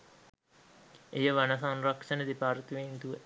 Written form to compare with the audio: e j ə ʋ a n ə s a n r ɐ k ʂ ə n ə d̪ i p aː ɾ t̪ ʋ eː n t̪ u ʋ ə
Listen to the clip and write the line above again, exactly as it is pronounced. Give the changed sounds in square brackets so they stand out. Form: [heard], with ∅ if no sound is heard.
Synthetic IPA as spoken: e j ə ʋ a n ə s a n r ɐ k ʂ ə n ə d̪ i p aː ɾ t̪ ʋ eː n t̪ u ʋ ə